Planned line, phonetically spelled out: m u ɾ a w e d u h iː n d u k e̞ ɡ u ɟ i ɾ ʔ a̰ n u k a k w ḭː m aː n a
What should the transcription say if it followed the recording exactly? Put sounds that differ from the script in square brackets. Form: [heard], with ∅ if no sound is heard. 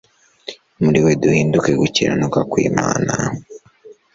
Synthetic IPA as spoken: m u ɾ [i] w e d u h iː n d u k e̞ ɡ u [c] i ɾ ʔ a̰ n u k a k w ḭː m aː n a